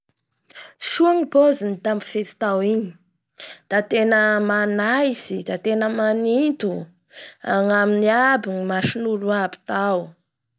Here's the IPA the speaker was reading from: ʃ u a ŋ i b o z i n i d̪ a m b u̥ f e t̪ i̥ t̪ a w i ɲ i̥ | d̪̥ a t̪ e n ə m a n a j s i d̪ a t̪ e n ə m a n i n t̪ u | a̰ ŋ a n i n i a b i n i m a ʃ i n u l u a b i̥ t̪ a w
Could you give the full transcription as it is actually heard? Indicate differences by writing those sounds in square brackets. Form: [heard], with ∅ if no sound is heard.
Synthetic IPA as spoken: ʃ u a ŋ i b o z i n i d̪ a m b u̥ f e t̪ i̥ t̪ a w i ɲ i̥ | d̪̥ a t̪ e n ə m a n a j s i d̪ a t̪ e n ə m a n i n t̪ u | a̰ ŋ a [m] i n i a b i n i m a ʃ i n u l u a b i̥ t̪ a w

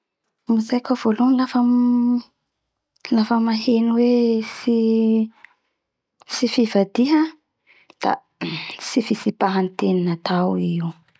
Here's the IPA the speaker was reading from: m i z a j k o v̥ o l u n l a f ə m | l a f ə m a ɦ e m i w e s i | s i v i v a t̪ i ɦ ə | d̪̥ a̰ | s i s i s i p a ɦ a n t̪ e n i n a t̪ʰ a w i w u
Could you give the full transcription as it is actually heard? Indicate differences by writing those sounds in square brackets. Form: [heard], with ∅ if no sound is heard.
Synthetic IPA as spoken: m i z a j k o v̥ o l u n l a f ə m | l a f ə m a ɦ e [n] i w e s i | s i [f] i v a [d̪] i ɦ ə | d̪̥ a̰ | s i [f] i s i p a ɦ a n t̪ e n i n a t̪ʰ a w i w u

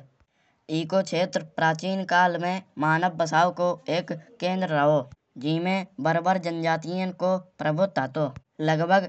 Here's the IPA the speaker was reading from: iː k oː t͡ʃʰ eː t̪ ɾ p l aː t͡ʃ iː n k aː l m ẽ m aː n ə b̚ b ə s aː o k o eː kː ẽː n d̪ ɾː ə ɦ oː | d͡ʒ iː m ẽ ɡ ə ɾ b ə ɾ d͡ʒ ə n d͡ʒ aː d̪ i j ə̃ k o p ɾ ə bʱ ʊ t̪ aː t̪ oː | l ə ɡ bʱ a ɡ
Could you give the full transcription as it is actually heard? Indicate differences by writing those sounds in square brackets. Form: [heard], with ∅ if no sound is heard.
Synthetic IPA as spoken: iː k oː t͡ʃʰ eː t̪ ɾ p [ɾ] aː t͡ʃ iː n k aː l m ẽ m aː n ə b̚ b ə s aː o k o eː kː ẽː n d̪ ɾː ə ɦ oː | d͡ʒ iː m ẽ [b] ə ɾ b ə ɾ d͡ʒ ə n d͡ʒ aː [t̪] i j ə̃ k o p ɾ ə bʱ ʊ t̪ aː t̪ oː | l ə ɡ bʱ [ə] ɡ

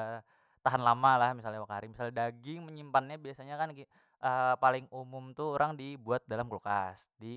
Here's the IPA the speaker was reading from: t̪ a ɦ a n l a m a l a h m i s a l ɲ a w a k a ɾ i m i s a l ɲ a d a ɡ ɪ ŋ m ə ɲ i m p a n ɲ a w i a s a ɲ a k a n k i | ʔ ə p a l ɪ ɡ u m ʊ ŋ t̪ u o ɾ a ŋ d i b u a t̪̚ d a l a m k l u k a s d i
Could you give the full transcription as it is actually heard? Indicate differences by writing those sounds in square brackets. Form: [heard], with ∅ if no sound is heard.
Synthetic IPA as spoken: t̪ a ɦ a n l a m a l a h m i s a l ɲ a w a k a ɾ i m i s a l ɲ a d a ɡ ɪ ŋ m ə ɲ i m p a n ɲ a [b] i a s a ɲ a k a n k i | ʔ ə p a l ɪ [ŋ] u m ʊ [m] t̪ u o ɾ a ŋ d i b u a t̪̚ d a l a m k l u k a s d i

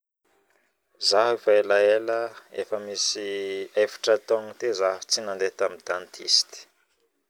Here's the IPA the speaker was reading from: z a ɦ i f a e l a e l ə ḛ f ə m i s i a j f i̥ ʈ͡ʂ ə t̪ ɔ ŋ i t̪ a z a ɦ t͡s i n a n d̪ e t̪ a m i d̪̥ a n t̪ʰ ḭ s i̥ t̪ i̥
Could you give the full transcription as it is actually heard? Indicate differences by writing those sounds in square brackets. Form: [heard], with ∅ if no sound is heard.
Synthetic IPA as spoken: z a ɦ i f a e l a e l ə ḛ f ə m i s i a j f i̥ ʈ͡ʂ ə t̪ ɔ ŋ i t̪ [e] z a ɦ t͡s i n a n d̪ e t̪ a m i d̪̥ a n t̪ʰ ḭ s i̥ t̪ i̥

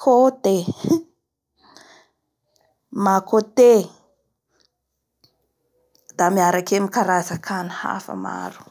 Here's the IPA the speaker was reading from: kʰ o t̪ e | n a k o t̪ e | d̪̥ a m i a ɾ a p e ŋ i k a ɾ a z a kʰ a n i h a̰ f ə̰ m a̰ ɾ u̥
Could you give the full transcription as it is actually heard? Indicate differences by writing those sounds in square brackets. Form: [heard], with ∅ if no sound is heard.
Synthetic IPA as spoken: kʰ o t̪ e | [m] a k o t̪ e | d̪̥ a m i a ɾ a [k] e [m] i k a ɾ a z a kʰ a n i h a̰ f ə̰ m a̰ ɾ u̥

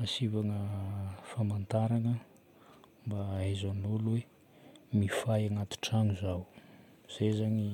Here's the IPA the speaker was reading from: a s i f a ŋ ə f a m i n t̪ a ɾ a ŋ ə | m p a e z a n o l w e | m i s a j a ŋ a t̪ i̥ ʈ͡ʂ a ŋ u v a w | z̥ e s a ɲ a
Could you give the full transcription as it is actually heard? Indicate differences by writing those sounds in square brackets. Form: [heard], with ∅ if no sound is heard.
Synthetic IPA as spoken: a s i [v] a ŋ ə f a m [a] n t̪ a ɾ a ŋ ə | m [b] a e z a n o l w e | m i [f] a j a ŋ a t̪ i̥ ʈ͡ʂ a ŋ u [z] a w | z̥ e [z] a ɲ [i]

